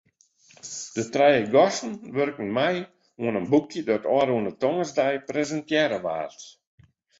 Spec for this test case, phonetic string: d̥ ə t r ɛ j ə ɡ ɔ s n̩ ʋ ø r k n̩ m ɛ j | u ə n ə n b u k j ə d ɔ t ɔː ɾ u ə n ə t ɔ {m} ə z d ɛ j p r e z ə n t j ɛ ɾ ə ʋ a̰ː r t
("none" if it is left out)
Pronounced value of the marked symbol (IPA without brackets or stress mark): ŋ